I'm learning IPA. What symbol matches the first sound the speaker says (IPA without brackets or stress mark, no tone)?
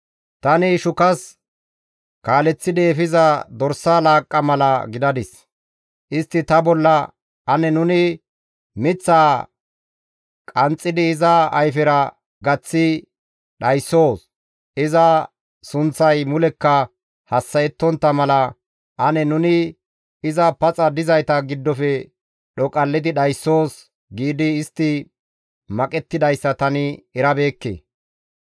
t̪